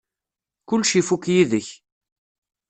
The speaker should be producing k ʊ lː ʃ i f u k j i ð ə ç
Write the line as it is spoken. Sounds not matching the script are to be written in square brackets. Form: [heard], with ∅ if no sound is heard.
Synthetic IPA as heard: k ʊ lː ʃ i f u k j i ð ə ç